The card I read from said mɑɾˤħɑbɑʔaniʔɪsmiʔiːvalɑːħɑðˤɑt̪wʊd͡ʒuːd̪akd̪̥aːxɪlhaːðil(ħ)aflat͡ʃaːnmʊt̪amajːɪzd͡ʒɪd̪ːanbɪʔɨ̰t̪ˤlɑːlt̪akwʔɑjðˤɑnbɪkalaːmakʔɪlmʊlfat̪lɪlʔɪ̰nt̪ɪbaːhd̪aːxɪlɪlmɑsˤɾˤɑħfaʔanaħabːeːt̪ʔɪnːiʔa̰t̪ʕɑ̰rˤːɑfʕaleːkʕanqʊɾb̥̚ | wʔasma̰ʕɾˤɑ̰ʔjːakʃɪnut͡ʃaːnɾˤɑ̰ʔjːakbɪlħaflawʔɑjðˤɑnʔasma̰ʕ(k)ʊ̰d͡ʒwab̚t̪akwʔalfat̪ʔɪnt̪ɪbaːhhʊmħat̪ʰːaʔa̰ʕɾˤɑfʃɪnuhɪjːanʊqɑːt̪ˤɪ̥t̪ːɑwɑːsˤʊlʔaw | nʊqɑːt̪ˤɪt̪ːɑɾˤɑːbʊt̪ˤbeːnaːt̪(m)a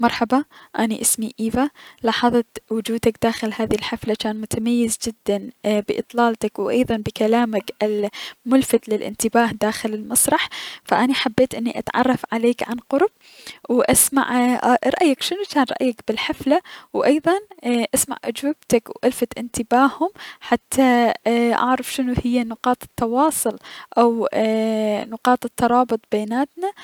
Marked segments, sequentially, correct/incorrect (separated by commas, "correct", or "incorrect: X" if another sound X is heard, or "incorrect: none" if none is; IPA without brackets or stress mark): correct, incorrect: ʔ, incorrect: n